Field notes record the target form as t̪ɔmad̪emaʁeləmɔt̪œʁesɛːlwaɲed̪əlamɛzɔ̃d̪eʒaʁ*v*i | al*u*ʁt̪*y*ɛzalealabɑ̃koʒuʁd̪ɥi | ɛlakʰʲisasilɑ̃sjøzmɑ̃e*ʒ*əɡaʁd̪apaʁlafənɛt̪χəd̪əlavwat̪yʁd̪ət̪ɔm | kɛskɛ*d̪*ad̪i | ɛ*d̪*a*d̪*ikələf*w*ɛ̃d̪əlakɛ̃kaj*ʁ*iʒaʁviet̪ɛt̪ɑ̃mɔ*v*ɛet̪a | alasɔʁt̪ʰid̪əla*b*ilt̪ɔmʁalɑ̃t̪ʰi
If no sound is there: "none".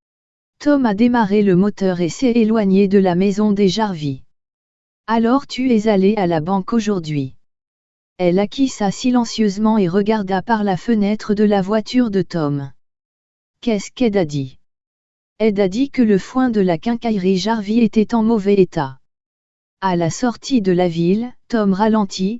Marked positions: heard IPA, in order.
v, ɔ, y, ʁ, d̪, d̪, d̪, w, ʁ, v, v

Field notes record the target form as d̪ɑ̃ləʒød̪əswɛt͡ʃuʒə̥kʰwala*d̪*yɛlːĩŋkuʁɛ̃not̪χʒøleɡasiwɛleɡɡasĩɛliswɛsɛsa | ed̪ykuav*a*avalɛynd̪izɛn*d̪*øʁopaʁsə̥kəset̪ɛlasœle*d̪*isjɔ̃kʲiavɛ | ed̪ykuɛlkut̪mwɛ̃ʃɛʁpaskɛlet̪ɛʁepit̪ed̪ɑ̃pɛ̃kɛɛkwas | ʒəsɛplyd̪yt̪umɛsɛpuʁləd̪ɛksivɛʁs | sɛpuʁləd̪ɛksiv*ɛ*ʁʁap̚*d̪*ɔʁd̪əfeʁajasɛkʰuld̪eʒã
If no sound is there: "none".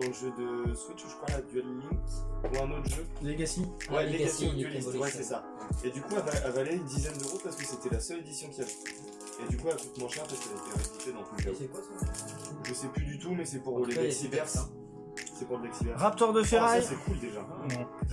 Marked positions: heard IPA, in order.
d̪, a, d̪, d̪, ɛ, t̪

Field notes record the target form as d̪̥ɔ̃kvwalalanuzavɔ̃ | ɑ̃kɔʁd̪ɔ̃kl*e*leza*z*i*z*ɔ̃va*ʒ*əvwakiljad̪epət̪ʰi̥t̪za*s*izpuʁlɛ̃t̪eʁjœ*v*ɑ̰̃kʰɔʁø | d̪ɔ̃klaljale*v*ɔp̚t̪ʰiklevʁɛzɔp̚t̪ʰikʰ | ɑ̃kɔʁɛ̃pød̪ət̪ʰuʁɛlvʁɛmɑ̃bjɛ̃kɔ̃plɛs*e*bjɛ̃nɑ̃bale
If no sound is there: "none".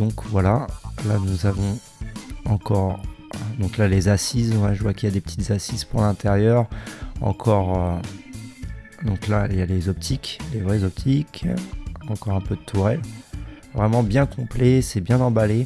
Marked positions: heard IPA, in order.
a, s, z, ʒ, s, ʁ, z, ɛ

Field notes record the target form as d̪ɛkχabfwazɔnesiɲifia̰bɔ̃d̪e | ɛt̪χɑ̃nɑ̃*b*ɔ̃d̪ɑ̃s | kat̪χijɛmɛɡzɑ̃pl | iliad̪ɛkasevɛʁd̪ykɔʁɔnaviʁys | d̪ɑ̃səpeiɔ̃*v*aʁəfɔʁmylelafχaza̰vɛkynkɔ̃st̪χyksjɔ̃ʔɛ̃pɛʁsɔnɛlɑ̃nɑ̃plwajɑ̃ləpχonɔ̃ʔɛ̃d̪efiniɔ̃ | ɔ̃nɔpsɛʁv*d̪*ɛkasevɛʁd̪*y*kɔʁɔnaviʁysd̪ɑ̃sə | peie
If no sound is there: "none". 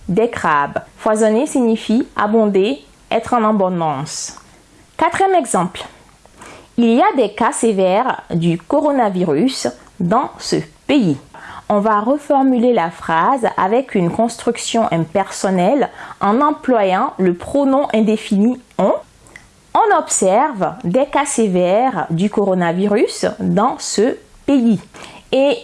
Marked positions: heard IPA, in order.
b, v, d̪, y

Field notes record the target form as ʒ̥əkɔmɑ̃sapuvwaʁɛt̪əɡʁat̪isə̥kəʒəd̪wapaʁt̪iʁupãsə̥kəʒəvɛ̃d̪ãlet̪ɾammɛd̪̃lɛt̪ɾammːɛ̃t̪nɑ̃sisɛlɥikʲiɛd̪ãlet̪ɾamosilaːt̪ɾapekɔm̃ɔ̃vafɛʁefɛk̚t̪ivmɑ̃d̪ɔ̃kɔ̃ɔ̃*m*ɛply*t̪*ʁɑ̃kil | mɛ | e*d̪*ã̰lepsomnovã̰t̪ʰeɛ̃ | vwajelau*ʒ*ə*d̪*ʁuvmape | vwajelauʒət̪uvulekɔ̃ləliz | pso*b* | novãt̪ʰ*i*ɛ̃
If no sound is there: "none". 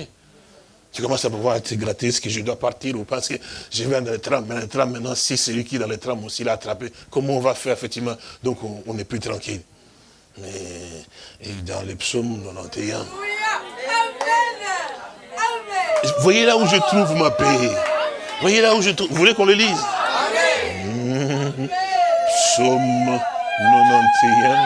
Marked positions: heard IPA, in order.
n, t̪, d̪, ʒ, t̪, m, e

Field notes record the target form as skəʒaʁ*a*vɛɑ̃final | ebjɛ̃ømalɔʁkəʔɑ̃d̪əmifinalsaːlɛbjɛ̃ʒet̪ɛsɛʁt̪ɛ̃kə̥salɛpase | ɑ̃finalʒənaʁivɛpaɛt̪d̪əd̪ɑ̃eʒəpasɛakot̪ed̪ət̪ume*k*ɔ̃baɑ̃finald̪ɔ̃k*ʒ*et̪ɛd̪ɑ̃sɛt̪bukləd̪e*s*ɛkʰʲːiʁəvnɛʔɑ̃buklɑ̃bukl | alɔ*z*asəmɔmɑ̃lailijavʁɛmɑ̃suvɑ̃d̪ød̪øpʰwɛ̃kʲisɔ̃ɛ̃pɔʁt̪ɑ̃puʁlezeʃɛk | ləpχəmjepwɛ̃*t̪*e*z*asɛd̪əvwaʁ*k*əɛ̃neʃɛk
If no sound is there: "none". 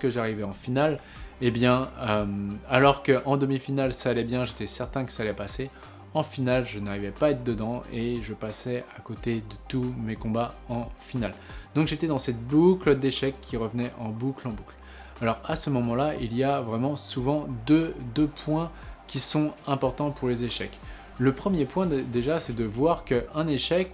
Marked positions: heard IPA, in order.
i, k, ʒ, ʃ, ʁ, d̪, ʒ, k

